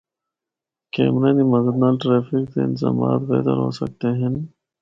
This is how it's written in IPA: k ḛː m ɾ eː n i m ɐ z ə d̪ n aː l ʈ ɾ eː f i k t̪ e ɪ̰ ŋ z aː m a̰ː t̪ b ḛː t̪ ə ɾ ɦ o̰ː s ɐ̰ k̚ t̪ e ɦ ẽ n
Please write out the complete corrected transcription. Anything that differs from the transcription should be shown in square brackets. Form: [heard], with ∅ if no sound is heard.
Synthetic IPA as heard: k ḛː m ɾ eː n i m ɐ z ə d̪ n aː l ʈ ɾ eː f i k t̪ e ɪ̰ [n] z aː m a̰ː t̪ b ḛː t̪ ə ɾ ɦ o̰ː s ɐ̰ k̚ t̪ e ɦ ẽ n